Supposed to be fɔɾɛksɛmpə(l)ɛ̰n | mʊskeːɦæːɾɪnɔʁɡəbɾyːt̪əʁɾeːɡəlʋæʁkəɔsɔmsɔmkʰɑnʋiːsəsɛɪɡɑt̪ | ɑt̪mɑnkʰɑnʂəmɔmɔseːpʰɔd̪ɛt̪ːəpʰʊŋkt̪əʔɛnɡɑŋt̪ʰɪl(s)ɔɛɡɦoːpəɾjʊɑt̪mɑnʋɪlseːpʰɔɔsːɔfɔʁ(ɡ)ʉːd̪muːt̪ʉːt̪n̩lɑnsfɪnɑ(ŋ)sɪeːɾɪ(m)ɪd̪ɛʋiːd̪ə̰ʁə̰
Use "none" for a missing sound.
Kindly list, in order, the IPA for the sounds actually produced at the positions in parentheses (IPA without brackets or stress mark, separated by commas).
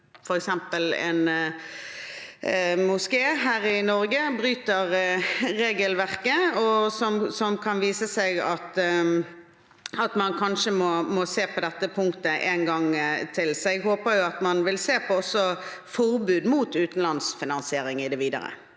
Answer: l, s, b, n, ŋ